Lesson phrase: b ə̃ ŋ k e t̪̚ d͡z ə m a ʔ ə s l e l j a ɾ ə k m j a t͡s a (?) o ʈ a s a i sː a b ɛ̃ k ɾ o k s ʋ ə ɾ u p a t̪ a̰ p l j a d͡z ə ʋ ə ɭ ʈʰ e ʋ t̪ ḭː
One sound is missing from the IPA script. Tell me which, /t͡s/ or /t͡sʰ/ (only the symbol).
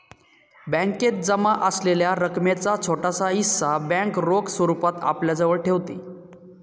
t͡sʰ